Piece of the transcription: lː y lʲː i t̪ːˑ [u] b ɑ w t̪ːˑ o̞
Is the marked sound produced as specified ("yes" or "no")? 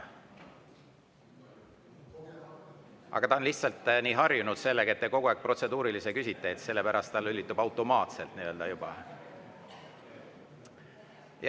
yes